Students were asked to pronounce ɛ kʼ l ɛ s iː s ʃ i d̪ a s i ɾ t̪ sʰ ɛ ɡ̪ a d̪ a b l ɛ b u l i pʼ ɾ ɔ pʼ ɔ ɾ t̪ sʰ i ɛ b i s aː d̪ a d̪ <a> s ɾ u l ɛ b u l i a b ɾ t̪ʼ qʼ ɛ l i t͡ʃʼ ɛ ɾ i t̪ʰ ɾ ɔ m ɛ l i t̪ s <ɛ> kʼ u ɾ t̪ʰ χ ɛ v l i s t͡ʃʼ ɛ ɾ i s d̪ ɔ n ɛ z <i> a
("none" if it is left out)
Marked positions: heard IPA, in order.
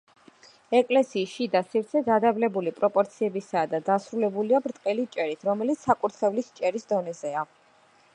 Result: a, a, ɛ

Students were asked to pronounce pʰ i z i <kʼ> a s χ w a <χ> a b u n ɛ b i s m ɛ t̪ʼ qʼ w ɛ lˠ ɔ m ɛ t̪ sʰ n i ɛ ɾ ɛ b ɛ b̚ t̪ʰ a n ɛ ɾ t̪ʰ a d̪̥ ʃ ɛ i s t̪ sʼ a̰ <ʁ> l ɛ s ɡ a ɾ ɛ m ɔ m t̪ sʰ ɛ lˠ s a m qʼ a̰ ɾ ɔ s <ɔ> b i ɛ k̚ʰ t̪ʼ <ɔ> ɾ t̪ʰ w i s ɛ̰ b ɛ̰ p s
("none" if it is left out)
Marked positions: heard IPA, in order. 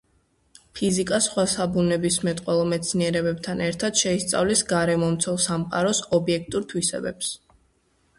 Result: kʼ, s, v, ɔ, u

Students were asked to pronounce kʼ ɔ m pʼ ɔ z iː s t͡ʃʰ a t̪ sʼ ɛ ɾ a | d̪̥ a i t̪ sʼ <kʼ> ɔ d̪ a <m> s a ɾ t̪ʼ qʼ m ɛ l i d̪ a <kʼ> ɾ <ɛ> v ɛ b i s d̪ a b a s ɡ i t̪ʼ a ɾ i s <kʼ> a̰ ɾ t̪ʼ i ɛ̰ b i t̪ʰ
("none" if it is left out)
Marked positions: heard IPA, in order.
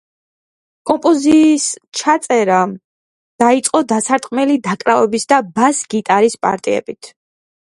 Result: qʼ, none, kʼ, a, pʼ

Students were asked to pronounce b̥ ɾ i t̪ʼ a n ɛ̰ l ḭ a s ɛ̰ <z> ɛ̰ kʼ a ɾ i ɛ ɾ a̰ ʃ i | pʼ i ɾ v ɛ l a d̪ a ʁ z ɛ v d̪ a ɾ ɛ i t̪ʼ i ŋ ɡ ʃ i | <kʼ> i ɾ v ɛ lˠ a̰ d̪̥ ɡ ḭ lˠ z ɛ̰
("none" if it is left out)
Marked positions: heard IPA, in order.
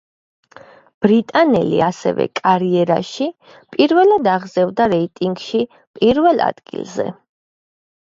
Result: v, pʼ

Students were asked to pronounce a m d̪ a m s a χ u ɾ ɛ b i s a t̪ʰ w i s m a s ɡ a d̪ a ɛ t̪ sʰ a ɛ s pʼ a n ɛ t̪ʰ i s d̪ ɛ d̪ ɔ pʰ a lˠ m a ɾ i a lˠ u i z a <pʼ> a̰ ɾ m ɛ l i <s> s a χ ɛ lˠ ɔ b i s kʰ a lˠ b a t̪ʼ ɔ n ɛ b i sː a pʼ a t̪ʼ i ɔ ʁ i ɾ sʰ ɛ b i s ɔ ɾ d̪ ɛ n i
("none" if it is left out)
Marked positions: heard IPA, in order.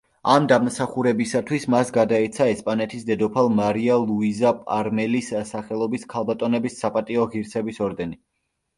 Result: pʼ, s

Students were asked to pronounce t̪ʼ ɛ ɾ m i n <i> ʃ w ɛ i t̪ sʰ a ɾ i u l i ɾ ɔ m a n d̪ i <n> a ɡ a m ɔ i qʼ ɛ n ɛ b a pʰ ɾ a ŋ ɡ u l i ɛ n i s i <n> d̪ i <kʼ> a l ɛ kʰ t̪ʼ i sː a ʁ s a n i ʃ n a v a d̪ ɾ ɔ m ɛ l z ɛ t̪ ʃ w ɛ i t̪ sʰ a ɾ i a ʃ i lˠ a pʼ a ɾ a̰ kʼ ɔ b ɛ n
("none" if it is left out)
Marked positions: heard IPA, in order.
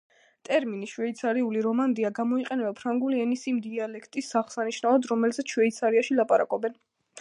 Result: i, none, m, none

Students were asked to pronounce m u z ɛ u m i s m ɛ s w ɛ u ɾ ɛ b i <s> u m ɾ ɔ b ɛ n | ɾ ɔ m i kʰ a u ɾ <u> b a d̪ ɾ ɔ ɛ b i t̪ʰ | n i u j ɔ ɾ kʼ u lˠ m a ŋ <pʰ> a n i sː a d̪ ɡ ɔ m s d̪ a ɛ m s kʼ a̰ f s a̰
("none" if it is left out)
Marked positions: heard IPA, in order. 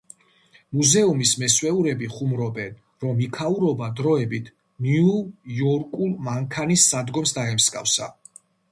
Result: χ, ɔ, kʰ

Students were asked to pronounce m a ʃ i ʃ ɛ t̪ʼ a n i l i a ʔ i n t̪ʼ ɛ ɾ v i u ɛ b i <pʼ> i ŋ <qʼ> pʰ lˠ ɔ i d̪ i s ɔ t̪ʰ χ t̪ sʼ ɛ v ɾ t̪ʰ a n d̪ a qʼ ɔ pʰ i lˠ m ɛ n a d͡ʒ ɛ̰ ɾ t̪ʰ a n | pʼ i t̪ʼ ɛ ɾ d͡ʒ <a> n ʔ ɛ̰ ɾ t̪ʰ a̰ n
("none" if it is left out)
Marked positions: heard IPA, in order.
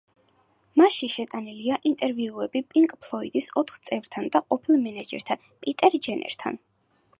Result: pʼ, kʼ, ɛ

